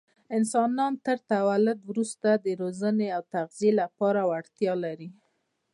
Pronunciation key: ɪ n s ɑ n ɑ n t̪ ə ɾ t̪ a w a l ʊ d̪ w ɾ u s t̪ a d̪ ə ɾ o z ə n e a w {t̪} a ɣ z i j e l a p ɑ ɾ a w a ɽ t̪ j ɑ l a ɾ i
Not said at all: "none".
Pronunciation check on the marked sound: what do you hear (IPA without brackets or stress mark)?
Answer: t̪